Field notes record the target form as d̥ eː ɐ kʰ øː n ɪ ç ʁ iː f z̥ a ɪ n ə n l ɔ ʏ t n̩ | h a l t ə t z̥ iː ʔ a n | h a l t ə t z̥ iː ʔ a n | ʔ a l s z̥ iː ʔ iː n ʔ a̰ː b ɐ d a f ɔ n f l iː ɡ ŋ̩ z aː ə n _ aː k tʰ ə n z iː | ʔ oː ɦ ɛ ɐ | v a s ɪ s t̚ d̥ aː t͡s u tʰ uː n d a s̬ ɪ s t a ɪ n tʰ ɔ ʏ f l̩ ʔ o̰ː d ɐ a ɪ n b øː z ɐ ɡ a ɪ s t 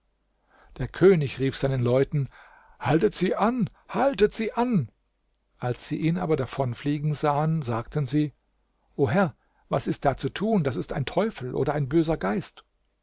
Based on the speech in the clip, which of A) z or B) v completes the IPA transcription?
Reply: A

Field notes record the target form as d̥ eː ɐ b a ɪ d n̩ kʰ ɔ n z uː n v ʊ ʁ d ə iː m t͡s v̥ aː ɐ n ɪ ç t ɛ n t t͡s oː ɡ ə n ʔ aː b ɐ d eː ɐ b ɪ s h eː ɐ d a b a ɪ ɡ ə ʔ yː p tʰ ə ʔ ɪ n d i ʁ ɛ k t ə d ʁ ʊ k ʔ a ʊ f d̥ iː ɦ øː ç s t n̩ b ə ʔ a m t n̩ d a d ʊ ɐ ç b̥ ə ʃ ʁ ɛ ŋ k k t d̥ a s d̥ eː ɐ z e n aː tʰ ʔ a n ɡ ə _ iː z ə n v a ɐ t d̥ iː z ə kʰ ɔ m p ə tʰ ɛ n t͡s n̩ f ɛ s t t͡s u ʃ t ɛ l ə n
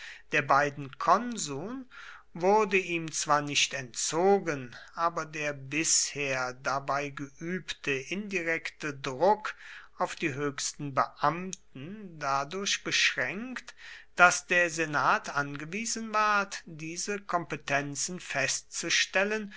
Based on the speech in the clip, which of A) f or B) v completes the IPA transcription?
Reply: B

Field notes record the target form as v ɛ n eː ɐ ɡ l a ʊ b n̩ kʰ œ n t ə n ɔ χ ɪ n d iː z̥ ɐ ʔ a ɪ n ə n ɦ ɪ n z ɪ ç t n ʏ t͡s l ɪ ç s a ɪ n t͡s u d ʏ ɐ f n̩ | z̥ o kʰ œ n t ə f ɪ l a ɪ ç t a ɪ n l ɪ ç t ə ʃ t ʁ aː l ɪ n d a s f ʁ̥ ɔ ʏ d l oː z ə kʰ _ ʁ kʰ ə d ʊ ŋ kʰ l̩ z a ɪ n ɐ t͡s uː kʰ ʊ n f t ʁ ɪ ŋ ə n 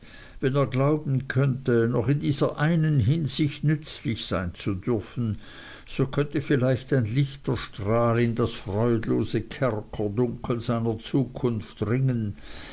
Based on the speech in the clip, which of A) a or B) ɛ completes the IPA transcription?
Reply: B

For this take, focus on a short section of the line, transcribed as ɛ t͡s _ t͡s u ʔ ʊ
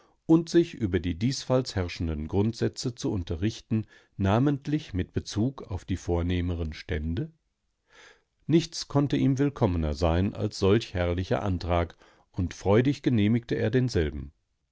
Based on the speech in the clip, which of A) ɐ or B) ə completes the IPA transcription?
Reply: B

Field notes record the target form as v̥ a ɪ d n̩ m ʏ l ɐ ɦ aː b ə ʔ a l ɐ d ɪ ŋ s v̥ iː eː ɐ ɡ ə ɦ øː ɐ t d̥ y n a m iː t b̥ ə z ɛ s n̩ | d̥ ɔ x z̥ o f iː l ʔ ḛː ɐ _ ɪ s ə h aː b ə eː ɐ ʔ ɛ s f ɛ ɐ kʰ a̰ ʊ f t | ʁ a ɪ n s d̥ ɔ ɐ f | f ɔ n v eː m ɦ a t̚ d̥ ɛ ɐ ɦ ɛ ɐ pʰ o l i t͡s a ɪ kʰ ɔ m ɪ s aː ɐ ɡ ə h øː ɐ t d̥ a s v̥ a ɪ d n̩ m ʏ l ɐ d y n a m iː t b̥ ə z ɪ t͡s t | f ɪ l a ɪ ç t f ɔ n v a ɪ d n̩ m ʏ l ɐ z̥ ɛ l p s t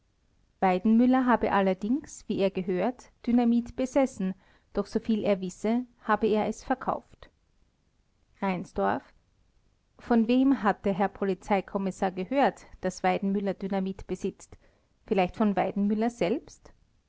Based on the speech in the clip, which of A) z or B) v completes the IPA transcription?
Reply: B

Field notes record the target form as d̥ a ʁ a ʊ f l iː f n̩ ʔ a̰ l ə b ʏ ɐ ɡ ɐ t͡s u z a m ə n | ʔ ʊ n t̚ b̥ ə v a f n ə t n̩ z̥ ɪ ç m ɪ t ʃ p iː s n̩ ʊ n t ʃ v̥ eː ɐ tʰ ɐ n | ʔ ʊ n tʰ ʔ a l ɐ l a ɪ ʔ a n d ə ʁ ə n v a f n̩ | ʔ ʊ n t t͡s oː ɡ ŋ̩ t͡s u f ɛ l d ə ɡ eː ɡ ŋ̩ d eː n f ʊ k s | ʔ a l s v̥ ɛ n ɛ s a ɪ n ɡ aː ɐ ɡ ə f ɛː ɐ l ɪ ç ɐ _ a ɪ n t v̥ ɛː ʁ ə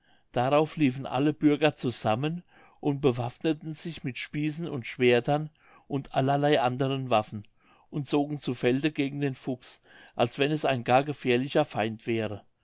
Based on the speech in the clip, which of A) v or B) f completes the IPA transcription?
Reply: B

